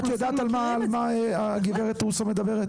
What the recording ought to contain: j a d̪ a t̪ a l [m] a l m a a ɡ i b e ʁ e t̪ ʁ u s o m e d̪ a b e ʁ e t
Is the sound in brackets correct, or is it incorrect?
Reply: correct